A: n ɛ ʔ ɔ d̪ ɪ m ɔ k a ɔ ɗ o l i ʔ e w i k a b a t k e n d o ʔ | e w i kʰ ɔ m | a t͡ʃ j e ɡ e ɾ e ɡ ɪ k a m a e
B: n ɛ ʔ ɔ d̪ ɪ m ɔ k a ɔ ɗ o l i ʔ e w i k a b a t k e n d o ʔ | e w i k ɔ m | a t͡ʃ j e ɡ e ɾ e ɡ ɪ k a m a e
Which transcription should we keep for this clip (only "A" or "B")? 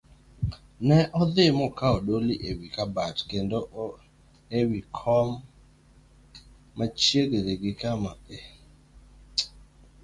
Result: A